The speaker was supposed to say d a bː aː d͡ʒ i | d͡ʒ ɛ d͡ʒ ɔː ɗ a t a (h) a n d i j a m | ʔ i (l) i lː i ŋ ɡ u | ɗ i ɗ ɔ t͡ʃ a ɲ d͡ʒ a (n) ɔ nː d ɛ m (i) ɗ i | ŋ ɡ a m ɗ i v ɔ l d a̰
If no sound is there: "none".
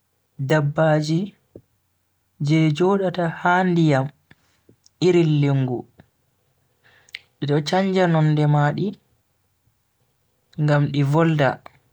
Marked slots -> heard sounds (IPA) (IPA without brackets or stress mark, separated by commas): h, ɾ, n, a